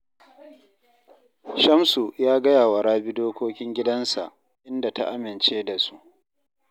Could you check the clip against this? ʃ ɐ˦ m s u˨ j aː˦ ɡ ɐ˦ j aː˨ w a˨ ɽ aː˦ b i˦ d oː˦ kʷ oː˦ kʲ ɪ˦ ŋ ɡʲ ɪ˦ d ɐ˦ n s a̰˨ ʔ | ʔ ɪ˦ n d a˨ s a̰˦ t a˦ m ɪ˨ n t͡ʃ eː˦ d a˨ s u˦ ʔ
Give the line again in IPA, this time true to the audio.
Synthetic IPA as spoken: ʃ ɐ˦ m s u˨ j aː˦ ɡ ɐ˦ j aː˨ w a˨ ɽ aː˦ b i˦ d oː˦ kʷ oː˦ kʲ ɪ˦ ŋ ɡʲ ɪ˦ d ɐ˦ n s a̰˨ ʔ | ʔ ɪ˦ n d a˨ t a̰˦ ʔ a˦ m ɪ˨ n t͡ʃ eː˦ d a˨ s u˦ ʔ